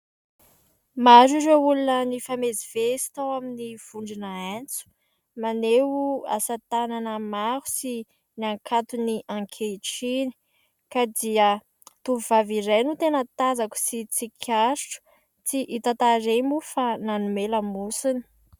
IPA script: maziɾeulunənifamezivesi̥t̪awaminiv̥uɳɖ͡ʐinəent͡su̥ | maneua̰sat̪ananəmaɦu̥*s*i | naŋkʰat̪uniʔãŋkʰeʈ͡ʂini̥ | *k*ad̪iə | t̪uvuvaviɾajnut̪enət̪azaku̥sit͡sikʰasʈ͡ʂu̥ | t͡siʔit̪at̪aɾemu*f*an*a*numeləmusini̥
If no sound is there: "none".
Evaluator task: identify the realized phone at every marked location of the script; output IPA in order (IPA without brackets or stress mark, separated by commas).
s, k, f, a